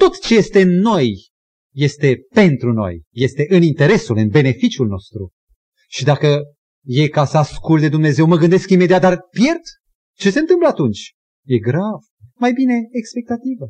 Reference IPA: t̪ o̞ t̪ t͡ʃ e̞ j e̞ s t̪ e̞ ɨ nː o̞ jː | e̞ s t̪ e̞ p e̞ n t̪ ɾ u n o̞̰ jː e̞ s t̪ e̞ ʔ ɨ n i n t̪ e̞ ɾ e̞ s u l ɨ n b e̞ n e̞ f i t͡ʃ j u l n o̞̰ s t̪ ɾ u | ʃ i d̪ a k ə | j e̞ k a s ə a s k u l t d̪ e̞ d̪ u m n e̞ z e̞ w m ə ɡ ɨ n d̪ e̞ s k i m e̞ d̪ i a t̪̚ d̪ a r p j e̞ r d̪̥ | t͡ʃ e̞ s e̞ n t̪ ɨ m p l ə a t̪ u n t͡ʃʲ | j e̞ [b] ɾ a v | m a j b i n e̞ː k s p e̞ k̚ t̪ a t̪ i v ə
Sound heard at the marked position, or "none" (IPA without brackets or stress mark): ɡ